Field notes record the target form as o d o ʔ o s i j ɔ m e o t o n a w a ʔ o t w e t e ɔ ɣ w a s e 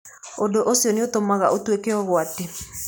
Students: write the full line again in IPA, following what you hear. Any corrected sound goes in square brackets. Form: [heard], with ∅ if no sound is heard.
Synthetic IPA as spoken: o d o ʔ o s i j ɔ [n] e o t o [m] a [ɣ] a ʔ o t w e [k] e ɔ ɣ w a [t] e